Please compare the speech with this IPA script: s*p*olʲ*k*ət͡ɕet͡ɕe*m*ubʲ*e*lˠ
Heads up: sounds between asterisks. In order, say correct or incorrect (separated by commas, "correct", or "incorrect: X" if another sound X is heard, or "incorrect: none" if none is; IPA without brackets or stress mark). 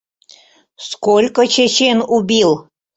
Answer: incorrect: k, correct, incorrect: n, incorrect: i